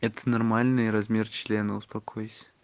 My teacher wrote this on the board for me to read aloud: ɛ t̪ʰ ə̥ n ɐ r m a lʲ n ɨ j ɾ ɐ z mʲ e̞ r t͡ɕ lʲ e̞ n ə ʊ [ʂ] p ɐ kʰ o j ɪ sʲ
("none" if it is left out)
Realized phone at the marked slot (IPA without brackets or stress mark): s